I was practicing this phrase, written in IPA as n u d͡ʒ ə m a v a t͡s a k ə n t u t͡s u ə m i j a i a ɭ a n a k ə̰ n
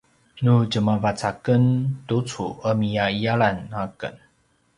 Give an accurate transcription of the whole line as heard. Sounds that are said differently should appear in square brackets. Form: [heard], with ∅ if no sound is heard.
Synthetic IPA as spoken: n u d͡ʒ ə m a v a t͡s a k ə n t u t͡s u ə m i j a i a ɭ a n a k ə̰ n